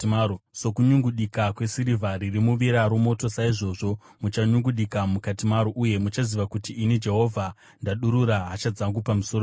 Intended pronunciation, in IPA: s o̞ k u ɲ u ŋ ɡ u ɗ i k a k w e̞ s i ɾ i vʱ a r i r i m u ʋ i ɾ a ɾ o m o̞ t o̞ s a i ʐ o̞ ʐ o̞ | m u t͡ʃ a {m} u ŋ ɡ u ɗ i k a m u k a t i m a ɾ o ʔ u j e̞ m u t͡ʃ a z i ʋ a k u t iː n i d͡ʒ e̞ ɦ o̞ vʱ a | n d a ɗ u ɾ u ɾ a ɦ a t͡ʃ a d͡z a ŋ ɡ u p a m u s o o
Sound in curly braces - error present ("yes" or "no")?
yes